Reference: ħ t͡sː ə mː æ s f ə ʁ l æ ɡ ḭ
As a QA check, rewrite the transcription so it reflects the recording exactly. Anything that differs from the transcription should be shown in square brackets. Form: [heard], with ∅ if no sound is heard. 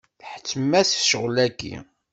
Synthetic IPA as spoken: ħ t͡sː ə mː æ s [ʃ] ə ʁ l æ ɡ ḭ